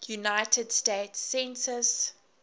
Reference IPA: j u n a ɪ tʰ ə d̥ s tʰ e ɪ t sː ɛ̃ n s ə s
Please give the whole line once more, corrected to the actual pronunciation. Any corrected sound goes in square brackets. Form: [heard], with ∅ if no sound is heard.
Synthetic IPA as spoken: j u n a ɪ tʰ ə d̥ s [t] e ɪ t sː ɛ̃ n s ə s